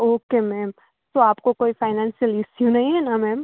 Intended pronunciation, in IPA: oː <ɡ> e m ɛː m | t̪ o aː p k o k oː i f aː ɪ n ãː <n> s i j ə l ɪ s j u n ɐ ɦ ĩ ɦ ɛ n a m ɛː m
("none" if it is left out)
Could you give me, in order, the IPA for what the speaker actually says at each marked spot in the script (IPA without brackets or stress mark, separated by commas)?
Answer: k, n